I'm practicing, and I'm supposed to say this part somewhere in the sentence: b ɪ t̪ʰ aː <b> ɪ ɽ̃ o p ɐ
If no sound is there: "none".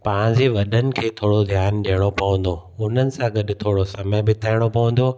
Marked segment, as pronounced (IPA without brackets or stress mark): none